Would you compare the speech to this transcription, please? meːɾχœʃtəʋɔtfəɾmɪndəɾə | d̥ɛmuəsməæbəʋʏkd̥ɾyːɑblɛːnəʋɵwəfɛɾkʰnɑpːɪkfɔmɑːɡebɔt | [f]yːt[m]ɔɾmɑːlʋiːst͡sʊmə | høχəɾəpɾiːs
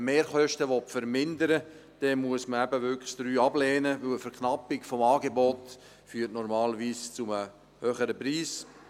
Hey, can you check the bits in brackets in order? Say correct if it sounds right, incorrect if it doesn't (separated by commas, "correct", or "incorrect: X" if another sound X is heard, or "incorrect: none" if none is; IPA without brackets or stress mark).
correct, incorrect: n